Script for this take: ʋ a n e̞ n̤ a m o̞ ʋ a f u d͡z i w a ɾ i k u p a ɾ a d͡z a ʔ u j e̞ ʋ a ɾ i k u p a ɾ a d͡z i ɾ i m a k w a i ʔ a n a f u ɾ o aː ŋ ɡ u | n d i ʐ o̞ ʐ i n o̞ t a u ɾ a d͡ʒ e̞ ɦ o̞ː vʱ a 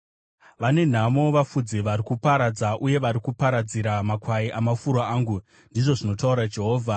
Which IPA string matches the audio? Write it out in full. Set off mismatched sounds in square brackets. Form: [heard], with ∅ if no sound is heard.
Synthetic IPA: ʋ a n e̞ n̤ a m o̞ ʋ a f u d͡z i [ʋ] a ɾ i k u p a ɾ a d͡z a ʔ u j e̞ ʋ a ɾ i k u p a ɾ a d͡z i ɾ [a] m a k w a i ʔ a [m] a f u ɾ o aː ŋ ɡ u | n d i ʐ o̞ ʐ i n o̞ t a u ɾ a d͡ʒ e̞ ɦ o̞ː vʱ a